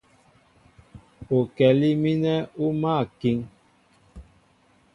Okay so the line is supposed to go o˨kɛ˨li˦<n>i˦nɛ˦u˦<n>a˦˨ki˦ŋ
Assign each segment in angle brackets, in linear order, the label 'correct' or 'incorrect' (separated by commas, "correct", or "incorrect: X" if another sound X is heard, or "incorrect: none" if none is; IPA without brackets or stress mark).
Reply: incorrect: m, incorrect: m